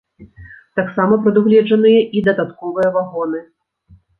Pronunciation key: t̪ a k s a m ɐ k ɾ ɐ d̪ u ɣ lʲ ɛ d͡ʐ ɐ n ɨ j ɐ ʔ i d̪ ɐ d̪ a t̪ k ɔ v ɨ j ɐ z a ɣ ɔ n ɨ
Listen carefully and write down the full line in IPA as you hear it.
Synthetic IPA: t̪ a k s a m ɐ p ɾ ɐ d̪ u ɣ lʲ ɛ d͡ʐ ɐ n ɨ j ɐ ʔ i d̪ ɐ d̪ a t̪ k ɔ v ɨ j ɐ v a ɣ ɔ n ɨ